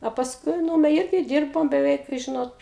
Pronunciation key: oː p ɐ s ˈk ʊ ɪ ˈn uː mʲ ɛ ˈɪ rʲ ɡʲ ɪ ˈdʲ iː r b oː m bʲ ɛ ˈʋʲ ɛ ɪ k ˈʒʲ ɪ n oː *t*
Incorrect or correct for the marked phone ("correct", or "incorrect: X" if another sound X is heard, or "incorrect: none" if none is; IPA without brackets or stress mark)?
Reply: correct